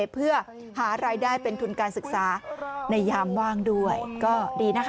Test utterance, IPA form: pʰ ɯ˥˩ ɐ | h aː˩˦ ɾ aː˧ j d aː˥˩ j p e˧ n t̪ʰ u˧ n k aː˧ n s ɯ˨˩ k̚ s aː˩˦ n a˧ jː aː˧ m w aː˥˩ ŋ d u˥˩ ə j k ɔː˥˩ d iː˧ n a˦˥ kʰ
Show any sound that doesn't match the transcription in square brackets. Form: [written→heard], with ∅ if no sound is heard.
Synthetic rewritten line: pʰ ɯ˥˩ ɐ | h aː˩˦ ɾ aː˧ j d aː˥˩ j p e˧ n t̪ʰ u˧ n k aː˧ n s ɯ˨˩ k̚ s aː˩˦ n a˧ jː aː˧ m w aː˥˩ ŋ d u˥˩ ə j k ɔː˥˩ d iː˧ n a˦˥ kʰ